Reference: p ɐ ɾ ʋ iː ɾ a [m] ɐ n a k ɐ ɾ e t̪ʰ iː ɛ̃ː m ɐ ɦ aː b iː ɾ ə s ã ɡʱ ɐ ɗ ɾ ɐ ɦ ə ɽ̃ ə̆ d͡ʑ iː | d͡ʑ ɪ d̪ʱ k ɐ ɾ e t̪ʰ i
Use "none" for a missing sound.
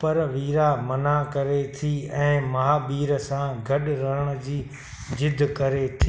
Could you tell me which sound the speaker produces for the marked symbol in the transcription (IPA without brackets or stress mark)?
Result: m